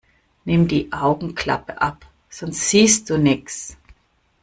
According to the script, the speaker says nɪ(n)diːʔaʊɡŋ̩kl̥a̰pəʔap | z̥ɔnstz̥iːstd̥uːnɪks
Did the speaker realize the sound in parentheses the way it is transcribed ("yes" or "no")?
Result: no